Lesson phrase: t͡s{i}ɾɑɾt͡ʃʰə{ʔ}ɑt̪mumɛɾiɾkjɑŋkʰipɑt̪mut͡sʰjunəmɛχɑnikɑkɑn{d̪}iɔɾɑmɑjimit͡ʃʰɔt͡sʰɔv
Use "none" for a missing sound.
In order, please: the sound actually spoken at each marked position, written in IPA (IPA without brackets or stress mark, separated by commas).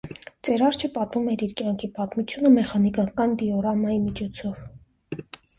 ɛ, p, d̪